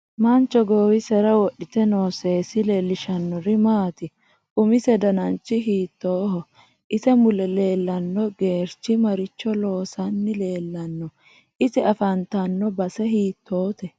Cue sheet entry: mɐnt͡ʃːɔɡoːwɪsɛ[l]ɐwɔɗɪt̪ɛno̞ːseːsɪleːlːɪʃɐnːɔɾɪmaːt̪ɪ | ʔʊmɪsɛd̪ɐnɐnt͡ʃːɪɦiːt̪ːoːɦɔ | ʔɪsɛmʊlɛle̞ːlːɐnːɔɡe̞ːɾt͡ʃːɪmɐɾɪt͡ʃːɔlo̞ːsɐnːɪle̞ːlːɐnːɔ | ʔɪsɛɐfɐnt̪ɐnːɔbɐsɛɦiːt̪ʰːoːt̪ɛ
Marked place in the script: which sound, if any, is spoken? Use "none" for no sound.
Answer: ɾ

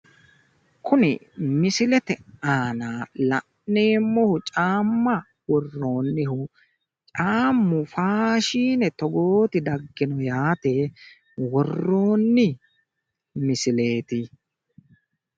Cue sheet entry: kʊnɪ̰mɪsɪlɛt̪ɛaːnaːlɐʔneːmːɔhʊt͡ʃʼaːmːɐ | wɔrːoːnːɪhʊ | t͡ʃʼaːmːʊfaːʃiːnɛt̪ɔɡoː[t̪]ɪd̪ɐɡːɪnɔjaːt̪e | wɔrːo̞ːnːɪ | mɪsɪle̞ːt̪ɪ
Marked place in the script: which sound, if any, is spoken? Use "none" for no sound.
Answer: t̪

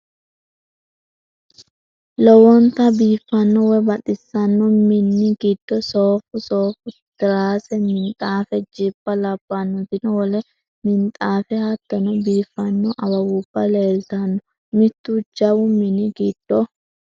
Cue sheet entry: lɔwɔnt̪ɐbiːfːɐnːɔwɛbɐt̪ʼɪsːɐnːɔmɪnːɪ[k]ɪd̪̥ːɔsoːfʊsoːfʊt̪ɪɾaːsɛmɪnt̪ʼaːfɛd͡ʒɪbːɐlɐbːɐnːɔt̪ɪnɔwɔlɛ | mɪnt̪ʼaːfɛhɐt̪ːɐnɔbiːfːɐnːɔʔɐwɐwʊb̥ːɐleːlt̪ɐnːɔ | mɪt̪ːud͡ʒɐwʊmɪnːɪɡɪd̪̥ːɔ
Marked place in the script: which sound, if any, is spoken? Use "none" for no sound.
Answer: ɡ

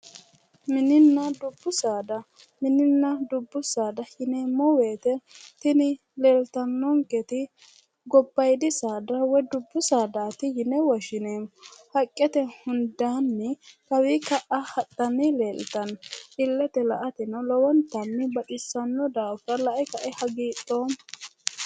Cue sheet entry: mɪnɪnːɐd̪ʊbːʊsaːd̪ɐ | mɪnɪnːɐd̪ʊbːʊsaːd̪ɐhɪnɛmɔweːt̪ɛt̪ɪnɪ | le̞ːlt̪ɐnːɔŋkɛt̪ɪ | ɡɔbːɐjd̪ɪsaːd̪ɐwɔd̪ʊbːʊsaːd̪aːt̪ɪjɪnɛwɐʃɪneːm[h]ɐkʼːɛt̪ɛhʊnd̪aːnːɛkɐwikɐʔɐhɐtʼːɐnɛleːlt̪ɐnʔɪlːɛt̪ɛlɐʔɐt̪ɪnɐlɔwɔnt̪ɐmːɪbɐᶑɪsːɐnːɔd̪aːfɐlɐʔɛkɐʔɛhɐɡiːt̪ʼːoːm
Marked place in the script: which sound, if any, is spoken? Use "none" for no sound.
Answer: h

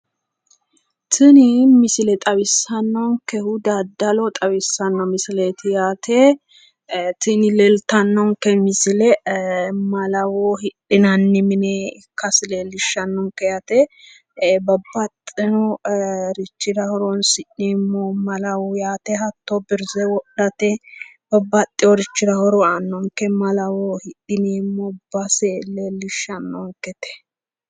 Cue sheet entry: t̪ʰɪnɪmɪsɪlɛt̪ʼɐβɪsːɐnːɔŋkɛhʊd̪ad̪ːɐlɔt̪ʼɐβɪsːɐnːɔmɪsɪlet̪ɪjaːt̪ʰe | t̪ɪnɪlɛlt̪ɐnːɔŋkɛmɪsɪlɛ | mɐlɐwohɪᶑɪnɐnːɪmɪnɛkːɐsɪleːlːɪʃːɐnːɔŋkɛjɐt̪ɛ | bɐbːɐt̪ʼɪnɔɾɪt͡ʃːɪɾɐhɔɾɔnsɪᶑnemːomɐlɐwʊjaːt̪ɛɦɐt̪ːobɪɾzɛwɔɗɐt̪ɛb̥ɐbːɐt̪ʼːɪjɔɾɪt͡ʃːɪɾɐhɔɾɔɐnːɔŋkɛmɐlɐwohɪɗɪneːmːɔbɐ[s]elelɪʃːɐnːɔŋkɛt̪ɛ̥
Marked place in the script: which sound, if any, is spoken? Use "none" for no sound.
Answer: s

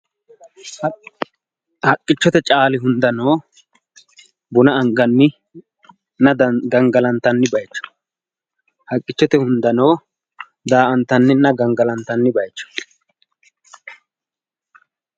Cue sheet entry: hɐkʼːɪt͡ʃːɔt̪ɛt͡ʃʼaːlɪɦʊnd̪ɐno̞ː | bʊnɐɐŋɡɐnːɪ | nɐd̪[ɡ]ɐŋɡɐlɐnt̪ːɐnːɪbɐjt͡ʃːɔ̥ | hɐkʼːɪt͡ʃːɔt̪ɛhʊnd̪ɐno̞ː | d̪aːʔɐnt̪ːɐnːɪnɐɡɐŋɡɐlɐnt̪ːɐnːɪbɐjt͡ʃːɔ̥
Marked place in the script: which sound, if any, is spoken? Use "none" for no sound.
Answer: ɡ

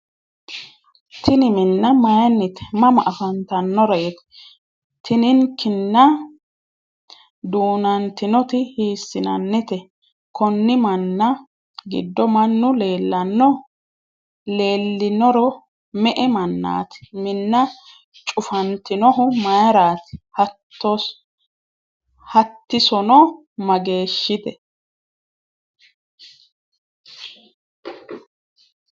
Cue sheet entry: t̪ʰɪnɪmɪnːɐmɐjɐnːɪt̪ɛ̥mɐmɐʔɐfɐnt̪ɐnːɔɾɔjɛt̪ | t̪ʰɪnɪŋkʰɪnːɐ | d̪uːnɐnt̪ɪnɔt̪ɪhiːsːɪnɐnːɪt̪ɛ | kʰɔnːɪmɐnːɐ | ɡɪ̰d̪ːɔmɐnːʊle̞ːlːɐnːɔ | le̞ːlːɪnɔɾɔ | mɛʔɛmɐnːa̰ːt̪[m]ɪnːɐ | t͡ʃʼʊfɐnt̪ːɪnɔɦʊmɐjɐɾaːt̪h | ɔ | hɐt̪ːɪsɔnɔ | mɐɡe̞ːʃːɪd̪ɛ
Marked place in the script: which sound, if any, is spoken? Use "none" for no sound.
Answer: m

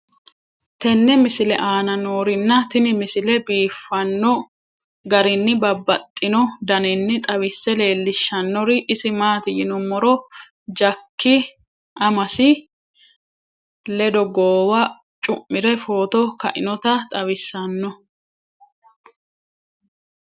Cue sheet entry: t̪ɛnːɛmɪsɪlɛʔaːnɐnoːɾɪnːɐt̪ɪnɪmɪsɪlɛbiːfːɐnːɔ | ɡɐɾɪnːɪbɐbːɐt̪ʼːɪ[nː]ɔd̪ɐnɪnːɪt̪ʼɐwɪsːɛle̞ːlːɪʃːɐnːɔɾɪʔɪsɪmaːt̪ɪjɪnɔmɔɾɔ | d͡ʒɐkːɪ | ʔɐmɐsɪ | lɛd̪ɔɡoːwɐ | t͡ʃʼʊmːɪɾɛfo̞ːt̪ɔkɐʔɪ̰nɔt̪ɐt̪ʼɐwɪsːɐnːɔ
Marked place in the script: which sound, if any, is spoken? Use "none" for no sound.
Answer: n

